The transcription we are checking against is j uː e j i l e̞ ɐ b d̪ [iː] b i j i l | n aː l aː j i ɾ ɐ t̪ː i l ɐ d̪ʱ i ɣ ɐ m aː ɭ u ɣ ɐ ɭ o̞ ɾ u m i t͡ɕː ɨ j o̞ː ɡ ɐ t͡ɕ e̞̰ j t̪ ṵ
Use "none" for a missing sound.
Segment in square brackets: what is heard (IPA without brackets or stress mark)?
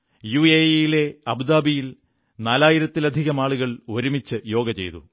aː